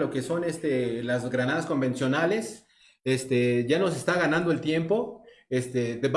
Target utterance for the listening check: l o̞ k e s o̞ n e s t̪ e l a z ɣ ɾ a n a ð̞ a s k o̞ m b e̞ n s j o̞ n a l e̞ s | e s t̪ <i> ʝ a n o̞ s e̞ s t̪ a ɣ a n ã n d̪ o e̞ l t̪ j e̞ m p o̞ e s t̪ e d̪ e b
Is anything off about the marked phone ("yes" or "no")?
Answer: yes